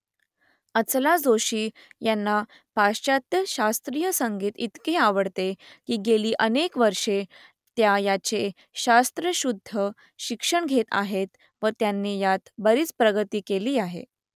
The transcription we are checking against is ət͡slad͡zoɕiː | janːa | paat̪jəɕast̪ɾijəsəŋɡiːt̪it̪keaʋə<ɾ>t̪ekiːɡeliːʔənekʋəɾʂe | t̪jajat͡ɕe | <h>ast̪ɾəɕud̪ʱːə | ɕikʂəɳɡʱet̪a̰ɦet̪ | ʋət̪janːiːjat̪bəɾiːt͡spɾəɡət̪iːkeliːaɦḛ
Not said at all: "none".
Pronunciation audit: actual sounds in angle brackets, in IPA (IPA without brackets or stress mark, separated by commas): ɽ, ɕ